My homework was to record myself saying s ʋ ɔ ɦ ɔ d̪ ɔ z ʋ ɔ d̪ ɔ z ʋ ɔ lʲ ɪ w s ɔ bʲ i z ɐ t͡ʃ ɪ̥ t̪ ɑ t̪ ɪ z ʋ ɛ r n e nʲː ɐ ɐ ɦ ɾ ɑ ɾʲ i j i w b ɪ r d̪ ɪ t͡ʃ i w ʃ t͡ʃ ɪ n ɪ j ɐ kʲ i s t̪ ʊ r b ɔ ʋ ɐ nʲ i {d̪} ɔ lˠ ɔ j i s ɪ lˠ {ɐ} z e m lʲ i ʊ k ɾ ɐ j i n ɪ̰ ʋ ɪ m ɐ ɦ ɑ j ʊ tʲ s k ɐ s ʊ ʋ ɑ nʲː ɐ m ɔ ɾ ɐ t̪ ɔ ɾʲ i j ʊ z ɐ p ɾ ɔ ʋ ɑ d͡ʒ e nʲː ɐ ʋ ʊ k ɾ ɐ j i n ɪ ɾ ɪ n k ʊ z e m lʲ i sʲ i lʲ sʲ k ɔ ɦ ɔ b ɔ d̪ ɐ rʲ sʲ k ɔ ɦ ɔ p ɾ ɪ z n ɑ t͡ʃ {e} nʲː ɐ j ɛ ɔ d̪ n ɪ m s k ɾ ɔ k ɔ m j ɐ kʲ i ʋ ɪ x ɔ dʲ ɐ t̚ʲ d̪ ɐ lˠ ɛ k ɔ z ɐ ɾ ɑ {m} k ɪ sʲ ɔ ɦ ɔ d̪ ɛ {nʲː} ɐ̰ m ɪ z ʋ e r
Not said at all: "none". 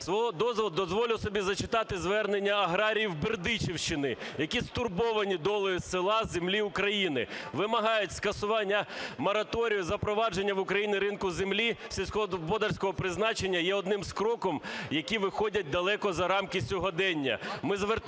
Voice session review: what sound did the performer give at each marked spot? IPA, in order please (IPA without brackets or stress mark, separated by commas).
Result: d̪, ɑ, e, m, nʲː